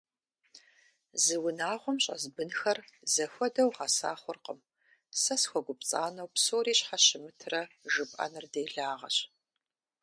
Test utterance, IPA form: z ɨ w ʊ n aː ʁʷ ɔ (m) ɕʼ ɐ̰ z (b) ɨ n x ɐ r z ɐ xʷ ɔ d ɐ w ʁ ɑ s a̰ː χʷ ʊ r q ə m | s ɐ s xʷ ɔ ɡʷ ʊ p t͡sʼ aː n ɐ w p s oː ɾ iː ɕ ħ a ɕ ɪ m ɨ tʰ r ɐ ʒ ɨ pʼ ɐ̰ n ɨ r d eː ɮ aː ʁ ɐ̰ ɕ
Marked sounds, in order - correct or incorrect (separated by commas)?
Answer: correct, correct